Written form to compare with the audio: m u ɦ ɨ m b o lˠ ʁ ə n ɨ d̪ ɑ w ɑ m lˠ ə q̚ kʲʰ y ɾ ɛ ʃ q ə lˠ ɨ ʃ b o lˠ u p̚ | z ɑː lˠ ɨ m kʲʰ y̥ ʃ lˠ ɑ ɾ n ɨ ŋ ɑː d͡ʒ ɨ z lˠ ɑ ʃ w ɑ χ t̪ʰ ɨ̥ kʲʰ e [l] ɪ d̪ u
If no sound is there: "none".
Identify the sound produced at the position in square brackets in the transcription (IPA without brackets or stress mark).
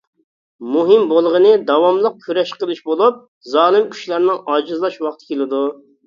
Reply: l